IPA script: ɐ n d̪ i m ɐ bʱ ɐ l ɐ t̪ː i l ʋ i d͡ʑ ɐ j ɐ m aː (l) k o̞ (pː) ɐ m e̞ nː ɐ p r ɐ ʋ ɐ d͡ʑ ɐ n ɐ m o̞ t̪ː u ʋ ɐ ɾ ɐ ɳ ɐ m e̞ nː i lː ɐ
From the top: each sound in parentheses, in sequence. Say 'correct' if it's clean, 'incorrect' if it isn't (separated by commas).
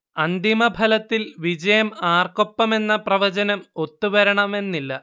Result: incorrect, correct